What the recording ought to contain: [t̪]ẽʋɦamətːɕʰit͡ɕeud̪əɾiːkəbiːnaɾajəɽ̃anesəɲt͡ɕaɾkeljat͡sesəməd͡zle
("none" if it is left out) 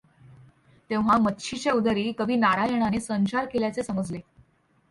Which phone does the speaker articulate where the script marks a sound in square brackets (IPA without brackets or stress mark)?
t̪